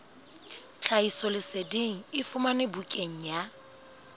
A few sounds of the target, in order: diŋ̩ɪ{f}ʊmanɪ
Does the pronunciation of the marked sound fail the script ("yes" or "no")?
no